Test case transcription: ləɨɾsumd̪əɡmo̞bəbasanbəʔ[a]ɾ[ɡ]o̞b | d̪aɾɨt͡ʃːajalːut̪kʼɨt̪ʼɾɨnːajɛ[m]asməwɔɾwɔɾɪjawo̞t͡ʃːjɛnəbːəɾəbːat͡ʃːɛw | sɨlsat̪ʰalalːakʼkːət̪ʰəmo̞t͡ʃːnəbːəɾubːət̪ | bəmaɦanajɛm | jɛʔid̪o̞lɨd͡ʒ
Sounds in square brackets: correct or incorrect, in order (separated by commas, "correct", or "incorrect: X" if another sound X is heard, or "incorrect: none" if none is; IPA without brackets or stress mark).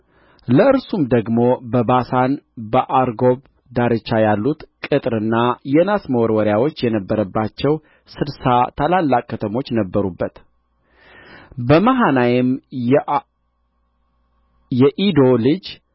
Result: correct, correct, incorrect: n